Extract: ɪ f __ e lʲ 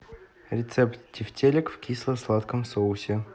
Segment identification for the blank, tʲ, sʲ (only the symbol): tʲ